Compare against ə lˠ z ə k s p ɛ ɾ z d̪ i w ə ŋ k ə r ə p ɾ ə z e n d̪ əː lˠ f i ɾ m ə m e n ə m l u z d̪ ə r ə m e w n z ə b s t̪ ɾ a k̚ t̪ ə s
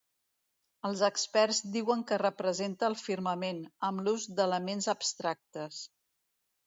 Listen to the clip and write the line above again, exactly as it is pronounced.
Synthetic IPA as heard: ə lˠ z ə k s p ɛ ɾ z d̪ i w ə ŋ k ə r ə p ɾ ə z e n t̪ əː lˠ f i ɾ m ə m e n ə m l u z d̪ ə l ə m e n z ə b s t̪ ɾ a k̚ t̪ ə s

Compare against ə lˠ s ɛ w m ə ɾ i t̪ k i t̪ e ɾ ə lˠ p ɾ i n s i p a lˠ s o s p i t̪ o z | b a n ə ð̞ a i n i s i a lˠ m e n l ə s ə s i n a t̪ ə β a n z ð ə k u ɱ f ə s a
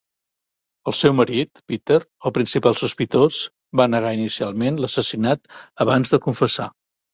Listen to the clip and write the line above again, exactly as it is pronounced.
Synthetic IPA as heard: ə lˠ s ɛ w m ə ɾ i t̪ p i t̪ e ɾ ə lˠ p ɾ i n s i p a lˠ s u s p i t̪ o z | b a n ə ɣ̞ a i n i s i a lˠ m e n l ə s ə s i n a t̪ ə β a n z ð ə k u ɱ f ə s a

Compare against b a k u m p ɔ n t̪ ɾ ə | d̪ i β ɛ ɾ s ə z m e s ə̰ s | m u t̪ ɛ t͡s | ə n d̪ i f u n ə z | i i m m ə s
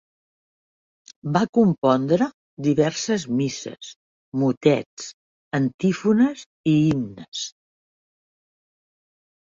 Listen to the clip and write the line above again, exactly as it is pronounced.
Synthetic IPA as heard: b a k u m p ɔ n d̪ ɾ ə | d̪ i β ɛ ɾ s ə z m i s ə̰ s | m u t̪ ɛ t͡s | ə n t̪ i f u n ə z | i i m n ə s

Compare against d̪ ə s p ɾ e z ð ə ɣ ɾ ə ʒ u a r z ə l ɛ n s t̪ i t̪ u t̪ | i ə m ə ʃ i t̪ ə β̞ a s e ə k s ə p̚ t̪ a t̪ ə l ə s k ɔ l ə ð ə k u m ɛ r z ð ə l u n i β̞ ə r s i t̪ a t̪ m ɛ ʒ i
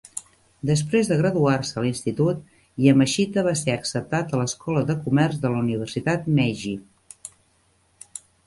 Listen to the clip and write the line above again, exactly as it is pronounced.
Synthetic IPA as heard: d̪ ə s p ɾ e z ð ə ɣ ɾ ə ð u a r s ə l i n s t̪ i t̪ u t̪ | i ə m ə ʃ i t̪ ə β̞ a s e ə k s ə p̚ t̪ a t̪ ə l ə s k ɔ l ə ð ə k u m ɛ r z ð ə l u n i β̞ ə r s i t̪ a t̪ m ɛ ʒ i

